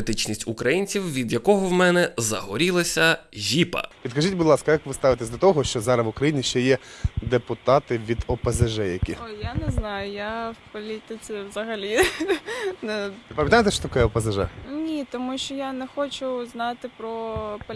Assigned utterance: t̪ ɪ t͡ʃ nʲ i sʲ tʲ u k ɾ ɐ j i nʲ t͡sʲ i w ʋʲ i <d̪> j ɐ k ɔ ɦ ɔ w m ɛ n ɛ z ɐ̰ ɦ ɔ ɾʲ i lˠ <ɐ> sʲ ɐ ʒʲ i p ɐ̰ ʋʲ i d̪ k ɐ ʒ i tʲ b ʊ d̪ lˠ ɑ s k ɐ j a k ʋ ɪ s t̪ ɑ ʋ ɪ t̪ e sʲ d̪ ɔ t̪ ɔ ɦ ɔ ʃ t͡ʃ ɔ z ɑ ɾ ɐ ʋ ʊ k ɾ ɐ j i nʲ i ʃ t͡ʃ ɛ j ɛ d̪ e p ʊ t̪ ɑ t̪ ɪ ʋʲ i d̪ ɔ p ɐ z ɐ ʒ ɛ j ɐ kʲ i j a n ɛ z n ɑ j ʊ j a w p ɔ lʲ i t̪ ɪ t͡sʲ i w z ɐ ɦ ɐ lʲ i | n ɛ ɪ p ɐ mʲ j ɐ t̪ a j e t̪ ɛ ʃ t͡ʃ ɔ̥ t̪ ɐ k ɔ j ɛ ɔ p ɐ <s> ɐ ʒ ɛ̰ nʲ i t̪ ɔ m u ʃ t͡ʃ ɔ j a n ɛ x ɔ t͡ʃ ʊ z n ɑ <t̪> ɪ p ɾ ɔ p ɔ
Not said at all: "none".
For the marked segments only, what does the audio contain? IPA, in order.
d̪, ɐ, z, t̪

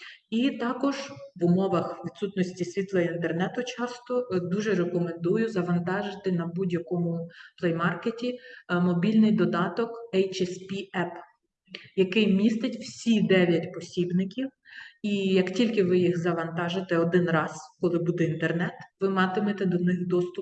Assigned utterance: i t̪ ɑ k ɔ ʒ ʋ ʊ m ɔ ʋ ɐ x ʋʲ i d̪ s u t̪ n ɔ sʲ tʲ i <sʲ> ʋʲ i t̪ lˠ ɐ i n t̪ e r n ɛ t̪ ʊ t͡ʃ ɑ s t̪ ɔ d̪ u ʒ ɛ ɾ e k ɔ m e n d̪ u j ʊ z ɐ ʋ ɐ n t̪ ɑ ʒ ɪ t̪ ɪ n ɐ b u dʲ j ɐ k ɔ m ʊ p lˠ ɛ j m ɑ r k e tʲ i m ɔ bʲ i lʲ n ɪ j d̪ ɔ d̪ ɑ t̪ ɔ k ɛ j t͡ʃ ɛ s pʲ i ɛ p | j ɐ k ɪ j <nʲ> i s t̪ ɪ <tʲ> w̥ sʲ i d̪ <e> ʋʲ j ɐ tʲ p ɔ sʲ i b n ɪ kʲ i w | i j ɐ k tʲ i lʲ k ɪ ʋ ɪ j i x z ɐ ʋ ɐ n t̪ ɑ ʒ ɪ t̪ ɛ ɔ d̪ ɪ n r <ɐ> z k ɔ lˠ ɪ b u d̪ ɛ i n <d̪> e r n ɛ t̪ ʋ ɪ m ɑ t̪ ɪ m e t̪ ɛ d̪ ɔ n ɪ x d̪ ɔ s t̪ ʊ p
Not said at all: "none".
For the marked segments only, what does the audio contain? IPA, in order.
sʲ, mʲ, tʲ, ɛ, ɑ, t̪

